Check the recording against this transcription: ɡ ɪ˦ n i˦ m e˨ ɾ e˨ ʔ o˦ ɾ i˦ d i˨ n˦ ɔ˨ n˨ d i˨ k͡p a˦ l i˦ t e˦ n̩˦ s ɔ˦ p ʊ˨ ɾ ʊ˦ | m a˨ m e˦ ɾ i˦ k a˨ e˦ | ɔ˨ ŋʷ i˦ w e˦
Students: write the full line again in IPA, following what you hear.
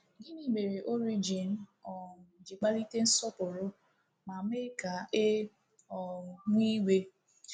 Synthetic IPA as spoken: ɡ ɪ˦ n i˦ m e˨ ɾ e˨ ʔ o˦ ɾ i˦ d͡ʒ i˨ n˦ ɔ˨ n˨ d͡ʒ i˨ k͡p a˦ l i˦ t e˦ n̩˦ s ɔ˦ p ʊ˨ ɾ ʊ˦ | m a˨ m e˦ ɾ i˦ k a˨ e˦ | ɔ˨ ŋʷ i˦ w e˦